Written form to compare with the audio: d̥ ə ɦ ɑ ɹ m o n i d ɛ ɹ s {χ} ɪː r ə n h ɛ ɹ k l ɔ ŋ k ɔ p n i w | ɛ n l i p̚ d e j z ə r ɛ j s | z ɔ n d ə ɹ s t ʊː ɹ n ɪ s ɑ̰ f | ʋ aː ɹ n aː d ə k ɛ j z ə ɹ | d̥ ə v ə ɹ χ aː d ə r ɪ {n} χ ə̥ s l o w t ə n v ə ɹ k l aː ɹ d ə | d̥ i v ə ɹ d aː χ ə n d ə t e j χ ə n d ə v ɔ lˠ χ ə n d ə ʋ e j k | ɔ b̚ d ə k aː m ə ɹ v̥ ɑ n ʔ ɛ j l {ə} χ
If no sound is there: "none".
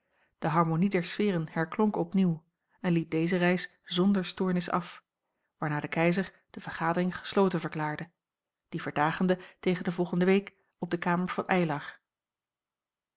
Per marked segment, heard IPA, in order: f, ŋ, ɑ

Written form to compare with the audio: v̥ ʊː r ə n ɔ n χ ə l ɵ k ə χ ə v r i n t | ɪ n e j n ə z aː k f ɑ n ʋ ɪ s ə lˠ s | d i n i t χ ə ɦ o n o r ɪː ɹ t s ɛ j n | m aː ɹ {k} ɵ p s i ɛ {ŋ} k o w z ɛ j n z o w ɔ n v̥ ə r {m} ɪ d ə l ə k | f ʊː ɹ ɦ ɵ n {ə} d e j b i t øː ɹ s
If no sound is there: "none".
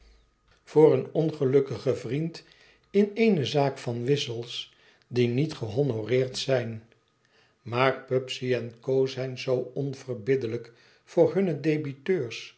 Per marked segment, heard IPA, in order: p, n, b, ə

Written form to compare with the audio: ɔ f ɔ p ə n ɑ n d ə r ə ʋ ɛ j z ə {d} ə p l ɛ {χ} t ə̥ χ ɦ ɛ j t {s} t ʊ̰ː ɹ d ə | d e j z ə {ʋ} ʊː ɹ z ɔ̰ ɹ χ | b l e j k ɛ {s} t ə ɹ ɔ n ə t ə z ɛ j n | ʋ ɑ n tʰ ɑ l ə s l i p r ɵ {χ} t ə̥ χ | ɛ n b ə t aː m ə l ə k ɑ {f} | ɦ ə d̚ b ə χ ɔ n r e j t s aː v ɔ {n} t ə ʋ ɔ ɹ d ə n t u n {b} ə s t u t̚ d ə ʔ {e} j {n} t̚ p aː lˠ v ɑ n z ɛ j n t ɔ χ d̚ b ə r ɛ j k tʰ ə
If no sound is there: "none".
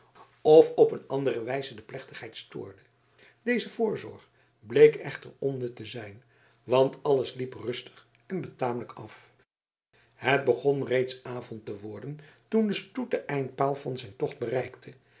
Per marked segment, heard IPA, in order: d, χ, s, v, χ, s, f, n, d, ɛ, n

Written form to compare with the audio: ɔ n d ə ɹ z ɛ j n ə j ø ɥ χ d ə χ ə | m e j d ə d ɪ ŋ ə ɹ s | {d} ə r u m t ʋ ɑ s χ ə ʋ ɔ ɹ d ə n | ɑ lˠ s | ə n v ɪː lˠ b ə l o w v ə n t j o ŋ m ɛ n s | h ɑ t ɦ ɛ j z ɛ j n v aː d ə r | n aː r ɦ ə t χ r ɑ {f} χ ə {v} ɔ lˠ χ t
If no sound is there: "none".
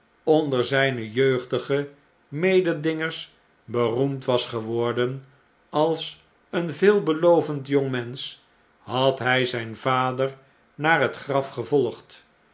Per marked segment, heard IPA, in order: b, f, v

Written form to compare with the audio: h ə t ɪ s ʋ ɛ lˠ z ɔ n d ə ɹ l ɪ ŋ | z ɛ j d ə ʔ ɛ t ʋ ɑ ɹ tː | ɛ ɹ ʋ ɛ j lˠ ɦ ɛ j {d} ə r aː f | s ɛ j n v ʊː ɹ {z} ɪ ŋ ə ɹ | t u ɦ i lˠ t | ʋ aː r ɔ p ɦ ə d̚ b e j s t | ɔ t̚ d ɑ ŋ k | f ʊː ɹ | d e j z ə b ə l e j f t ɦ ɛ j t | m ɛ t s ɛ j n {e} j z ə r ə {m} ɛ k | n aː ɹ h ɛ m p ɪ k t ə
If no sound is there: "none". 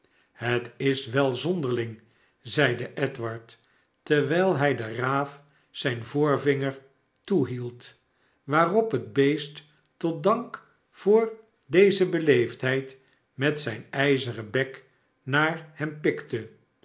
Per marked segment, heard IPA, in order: d, v, ɛ, b

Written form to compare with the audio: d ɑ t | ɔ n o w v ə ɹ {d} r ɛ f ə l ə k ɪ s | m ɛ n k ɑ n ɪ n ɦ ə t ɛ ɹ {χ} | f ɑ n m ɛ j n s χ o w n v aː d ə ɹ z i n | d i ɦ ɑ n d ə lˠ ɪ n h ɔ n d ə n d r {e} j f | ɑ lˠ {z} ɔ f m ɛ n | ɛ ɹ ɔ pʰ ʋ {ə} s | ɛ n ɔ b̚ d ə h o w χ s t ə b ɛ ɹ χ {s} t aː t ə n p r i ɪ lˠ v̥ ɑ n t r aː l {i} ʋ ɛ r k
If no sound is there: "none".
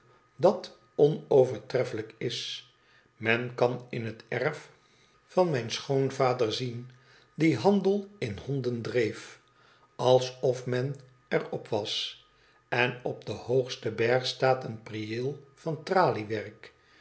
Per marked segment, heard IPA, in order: t, f, e, s, ɑ, s, i

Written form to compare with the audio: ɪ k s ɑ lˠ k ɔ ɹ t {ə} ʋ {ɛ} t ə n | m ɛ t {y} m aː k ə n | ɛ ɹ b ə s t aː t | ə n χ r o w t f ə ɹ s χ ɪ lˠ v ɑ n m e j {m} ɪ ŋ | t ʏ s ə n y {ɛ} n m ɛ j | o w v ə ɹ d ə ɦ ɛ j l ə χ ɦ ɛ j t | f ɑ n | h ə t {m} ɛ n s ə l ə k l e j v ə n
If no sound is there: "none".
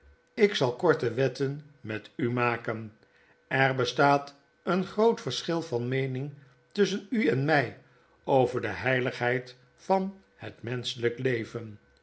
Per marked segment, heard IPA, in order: ə, ɛ, y, n, ɛ, m

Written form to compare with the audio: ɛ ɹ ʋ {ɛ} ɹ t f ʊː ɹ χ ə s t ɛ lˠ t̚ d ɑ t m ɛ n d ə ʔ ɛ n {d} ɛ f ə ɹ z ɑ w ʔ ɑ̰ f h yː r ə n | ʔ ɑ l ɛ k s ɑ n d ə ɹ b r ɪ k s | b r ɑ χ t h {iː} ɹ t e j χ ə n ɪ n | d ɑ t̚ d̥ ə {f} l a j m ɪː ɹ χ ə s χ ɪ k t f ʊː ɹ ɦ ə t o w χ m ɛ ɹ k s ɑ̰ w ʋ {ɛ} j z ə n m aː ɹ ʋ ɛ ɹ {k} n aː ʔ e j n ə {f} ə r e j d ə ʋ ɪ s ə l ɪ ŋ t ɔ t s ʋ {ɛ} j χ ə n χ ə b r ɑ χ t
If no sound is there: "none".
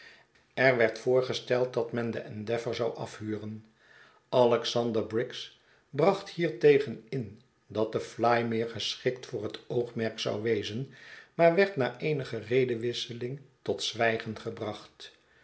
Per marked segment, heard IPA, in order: ɛ, d, iː, f, e, t, χ, ɛ

